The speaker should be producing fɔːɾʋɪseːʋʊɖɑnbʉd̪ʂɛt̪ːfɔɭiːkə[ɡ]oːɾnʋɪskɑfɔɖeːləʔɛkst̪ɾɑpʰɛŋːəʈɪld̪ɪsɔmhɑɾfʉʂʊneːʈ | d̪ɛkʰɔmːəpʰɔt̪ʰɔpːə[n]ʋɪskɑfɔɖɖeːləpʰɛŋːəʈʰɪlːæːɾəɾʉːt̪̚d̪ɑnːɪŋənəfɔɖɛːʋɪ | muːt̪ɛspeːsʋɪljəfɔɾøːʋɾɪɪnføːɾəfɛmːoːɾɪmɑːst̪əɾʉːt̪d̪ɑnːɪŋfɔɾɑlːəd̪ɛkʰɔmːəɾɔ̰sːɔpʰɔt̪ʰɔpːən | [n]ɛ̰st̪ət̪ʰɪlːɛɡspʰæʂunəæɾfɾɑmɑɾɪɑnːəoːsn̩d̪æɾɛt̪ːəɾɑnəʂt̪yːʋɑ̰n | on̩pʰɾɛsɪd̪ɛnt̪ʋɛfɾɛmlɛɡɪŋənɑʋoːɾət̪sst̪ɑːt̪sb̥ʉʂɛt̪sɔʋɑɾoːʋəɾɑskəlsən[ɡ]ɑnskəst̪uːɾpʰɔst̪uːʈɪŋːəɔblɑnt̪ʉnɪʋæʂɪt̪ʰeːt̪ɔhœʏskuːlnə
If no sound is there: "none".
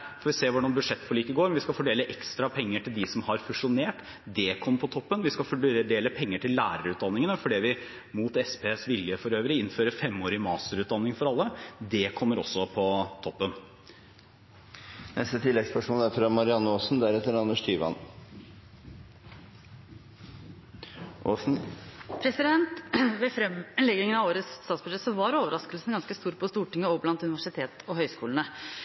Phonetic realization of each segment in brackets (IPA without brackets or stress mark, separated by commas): ɡ, n, n, ɡ